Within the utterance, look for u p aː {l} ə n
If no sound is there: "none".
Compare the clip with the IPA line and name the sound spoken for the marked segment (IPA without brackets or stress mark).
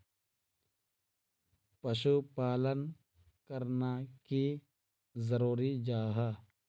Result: l